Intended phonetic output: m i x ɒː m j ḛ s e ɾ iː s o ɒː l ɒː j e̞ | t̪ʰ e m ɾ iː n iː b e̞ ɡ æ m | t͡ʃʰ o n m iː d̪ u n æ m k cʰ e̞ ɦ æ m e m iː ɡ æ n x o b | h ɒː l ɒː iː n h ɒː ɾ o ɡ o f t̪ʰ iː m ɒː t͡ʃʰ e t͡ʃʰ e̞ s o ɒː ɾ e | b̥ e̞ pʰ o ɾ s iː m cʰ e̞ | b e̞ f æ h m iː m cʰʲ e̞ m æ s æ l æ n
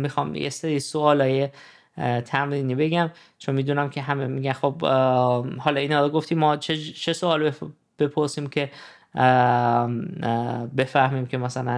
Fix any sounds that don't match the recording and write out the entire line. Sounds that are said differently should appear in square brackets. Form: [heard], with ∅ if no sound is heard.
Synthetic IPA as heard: m i x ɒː m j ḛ s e ɾ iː s o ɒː l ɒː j e̞ | t̪ʰ [æ] m ɾ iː n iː b e̞ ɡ æ m | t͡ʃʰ o n m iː d̪ u n æ m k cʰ e̞ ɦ æ m e m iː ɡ æ n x o b | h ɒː l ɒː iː n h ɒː ɾ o ɡ o f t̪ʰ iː m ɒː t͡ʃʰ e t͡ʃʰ e̞ s o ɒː [l] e | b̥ e̞ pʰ o ɾ s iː m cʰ e̞ | b e̞ f æ h m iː m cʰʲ e̞ m æ s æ l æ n